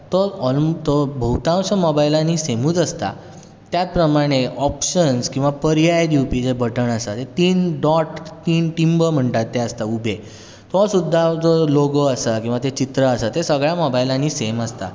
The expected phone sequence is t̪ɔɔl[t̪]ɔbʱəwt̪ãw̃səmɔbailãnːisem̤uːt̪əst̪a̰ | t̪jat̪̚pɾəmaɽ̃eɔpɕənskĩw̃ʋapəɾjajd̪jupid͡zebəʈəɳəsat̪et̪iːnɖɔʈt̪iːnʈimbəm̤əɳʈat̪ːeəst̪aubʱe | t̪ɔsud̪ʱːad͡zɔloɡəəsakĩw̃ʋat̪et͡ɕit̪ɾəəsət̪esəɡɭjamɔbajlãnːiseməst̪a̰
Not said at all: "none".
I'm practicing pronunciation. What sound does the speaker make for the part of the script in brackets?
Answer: t̪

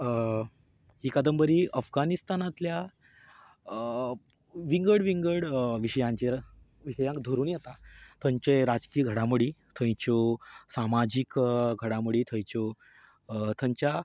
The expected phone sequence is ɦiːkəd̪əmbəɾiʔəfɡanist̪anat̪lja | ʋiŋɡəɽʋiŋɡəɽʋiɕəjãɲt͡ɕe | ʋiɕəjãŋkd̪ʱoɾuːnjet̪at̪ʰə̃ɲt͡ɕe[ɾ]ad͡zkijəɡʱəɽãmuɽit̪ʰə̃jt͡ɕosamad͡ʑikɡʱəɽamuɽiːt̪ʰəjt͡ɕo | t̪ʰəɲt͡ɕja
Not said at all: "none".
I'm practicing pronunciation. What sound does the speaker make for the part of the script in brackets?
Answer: ɾ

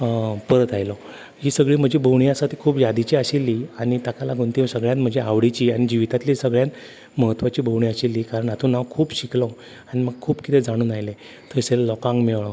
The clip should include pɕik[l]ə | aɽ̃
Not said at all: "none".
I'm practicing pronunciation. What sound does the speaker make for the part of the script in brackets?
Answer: l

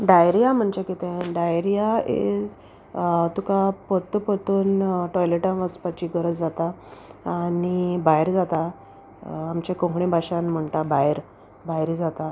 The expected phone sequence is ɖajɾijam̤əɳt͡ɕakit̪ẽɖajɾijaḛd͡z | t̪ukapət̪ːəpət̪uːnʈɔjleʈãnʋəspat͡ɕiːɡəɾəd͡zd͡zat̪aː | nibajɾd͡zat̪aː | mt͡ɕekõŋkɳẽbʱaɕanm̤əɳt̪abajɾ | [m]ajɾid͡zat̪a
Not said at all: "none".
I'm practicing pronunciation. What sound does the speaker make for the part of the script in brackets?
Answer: b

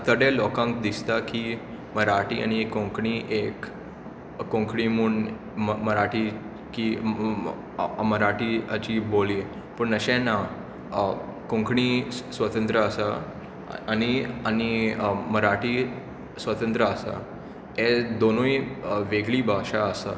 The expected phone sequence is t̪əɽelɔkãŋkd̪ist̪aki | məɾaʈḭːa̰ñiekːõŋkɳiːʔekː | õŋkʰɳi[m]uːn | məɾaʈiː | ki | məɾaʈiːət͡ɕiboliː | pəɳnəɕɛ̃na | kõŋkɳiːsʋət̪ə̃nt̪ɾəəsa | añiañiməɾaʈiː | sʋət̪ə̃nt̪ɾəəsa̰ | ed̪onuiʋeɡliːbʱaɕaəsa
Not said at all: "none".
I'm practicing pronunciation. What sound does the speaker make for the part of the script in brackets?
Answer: m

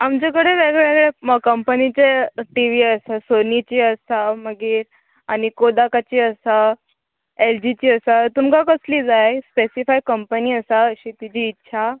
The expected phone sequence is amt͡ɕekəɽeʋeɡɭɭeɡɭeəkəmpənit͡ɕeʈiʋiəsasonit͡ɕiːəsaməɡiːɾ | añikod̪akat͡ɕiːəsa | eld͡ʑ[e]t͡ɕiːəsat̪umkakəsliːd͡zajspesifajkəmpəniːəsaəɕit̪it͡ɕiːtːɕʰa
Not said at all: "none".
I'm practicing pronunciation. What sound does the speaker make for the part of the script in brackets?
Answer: i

